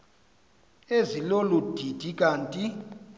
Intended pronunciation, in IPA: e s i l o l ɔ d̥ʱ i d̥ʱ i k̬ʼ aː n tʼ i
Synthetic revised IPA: e z i l o l u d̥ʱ i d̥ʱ i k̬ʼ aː n tʼ i